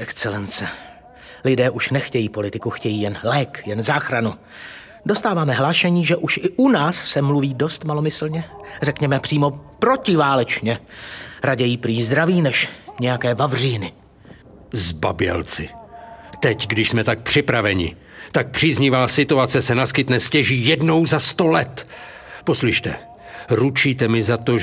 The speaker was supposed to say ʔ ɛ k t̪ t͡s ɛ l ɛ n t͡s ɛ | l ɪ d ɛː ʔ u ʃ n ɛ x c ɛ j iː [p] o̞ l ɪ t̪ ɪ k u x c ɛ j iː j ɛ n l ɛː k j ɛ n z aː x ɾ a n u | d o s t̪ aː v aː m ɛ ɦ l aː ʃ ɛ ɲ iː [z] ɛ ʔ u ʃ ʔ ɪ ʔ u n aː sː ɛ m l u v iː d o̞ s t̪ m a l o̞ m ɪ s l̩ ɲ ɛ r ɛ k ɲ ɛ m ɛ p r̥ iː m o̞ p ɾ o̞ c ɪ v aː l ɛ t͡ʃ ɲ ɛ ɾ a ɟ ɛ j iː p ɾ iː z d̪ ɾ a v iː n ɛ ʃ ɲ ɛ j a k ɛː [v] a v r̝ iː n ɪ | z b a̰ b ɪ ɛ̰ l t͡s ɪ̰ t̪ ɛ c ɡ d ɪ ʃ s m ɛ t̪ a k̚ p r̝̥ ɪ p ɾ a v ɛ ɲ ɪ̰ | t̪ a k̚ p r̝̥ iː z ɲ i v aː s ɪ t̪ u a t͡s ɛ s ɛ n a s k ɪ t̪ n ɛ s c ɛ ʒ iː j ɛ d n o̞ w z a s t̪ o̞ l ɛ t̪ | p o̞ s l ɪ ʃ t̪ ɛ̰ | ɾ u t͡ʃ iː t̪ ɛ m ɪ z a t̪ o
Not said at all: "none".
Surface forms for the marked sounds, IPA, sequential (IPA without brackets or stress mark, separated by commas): p, ʒ, v